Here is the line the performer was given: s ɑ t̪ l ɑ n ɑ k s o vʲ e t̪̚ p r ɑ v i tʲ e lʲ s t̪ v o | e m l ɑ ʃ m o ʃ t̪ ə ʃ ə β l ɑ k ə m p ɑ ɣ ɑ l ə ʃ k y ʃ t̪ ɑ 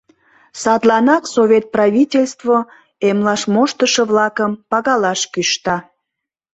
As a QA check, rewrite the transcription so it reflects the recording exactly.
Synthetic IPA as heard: s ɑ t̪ l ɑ n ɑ k s o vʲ e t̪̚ p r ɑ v i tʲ e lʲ s t̪ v o | e m l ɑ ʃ m o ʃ t̪ ə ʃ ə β l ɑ k ə m p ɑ ɣ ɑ l ɑ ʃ k y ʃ t̪ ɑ